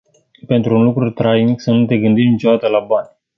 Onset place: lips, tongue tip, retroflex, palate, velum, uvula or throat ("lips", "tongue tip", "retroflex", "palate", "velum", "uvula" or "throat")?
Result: lips